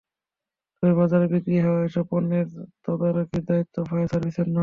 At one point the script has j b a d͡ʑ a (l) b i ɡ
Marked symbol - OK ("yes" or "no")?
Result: no